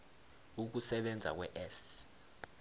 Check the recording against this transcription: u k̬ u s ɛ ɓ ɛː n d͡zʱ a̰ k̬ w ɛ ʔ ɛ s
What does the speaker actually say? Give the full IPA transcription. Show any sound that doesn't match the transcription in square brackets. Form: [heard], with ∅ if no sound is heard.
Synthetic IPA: u k̬ u s ɛ ɓ [ɛ] n d͡zʱ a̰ k̬ w ɛ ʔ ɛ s